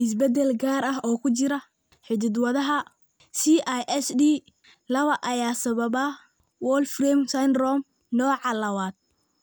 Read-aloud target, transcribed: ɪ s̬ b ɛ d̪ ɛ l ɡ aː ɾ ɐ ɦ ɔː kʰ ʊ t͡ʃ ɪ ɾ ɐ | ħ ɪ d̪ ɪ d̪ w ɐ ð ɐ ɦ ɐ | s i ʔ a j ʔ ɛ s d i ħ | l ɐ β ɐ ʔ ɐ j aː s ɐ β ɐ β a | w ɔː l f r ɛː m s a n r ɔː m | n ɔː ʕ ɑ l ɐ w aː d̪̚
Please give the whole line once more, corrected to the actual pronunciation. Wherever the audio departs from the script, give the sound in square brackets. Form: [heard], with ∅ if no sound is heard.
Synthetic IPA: ɪ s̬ b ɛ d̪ ɛ l ɡ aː ɾ ɐ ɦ ɔː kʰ ʊ t͡ʃ ɪ ɾ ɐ | ħ ɪ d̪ ɪ d̪ w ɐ ð ɐ ɦ ɐ | s i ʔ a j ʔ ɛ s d i [∅] | l ɐ β ɐ ʔ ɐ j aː s ɐ β ɐ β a | w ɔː l f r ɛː m s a n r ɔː m | n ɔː ʕ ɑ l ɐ w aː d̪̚